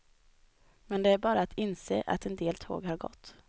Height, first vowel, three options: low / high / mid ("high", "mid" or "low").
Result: mid